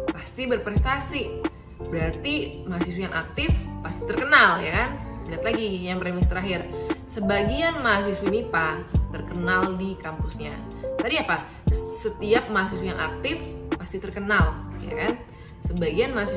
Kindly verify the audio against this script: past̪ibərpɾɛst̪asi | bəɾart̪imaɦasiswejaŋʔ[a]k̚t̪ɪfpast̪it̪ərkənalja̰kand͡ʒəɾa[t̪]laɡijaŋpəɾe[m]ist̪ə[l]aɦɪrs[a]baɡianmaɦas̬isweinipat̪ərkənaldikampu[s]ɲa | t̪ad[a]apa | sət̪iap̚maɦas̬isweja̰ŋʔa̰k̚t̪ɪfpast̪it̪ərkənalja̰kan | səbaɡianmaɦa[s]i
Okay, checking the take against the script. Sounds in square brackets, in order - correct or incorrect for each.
correct, correct, correct, incorrect: ɾ, incorrect: ə, correct, incorrect: i, correct

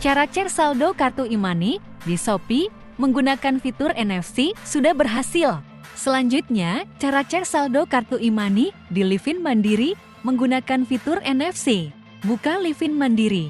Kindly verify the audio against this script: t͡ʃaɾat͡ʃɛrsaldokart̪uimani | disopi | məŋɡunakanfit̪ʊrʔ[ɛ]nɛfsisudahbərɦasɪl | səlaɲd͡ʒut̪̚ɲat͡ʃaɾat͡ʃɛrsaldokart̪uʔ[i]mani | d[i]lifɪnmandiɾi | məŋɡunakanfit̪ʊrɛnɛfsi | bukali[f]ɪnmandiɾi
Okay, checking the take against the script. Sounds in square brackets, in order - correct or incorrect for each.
correct, correct, correct, correct

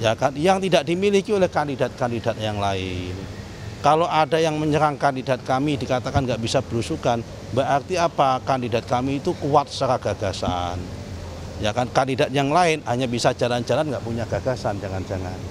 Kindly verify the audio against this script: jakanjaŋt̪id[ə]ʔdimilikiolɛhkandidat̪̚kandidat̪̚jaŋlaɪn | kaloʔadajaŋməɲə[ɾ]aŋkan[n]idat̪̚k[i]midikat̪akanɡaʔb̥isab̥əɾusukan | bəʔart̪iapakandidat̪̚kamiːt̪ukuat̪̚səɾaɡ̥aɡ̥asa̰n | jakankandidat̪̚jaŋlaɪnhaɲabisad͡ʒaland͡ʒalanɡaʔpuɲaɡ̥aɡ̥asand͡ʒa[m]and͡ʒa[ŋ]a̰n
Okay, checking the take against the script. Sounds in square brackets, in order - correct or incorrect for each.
incorrect: a, correct, incorrect: d, incorrect: a, incorrect: ŋ, correct

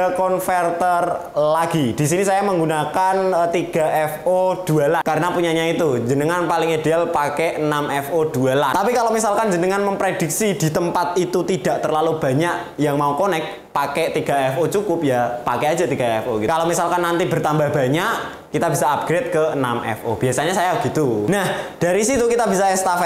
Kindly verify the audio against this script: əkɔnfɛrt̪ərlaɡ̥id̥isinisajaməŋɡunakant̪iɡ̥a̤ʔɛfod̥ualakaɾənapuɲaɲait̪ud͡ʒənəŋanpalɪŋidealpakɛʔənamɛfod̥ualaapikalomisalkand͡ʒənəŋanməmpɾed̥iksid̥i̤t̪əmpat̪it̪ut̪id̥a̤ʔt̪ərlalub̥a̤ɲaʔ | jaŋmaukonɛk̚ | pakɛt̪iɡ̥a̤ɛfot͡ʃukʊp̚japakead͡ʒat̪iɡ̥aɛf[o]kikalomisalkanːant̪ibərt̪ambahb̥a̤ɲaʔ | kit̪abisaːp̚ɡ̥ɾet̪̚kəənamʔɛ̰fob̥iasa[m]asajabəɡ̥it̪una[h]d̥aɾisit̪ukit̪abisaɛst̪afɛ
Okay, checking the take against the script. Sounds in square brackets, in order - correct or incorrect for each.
correct, incorrect: ɲ, correct

